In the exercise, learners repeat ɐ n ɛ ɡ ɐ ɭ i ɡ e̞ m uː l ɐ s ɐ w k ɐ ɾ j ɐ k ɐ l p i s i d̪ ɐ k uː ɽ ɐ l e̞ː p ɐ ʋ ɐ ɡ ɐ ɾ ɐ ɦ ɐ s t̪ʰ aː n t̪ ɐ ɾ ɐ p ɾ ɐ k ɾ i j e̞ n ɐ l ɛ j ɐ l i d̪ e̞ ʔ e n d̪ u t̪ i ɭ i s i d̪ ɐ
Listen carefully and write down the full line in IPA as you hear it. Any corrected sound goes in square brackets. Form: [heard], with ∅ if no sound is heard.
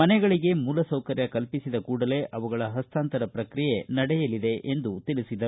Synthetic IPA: ɐ n ɛ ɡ ɐ ɭ i ɡ e̞ m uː l ɐ s ɐ w k ɐ ɾ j ɐ k ɐ l p i s i d̪ ɐ k uː ɽ ɐ l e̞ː [ʔ] ɐ ʋ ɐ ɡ ɐ [ɭ] ɐ ɦ ɐ s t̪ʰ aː n t̪ ɐ ɾ ɐ p ɾ ɐ k ɾ i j e̞ n ɐ [ɽ] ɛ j ɐ l i d̪ e̞ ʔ e n d̪ u t̪ i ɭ i s i d̪ ɐ